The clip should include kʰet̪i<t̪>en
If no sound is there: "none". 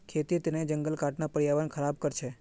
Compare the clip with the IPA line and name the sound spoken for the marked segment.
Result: t̪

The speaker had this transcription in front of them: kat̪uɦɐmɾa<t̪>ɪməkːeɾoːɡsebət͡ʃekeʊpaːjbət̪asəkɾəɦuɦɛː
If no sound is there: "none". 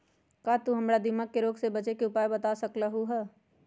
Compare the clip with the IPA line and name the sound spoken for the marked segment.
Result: d̪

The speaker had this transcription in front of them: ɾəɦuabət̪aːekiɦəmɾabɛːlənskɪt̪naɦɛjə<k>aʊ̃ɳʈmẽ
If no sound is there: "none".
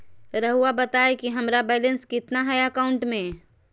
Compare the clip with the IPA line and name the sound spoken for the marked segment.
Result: k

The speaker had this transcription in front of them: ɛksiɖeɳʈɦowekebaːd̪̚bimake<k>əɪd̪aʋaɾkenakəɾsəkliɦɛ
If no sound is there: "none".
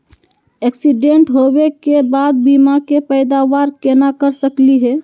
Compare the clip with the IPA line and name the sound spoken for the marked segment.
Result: p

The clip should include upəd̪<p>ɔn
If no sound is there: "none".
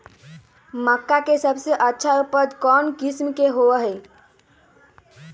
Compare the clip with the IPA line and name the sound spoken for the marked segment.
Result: k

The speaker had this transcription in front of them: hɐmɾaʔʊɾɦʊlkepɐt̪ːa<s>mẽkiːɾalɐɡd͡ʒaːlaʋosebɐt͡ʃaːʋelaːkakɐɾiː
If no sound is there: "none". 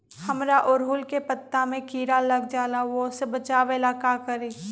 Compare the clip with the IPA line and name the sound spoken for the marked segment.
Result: none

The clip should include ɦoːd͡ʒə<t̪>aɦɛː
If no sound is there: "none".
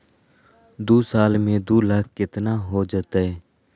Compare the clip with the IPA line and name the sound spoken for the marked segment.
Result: t̪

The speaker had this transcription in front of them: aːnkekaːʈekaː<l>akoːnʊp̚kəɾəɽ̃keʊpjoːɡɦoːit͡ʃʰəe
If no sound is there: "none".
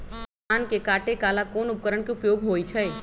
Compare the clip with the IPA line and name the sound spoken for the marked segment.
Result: l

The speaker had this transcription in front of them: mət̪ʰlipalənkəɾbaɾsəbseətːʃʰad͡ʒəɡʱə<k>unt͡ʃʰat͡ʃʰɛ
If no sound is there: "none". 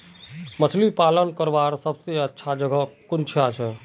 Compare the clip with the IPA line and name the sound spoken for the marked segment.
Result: k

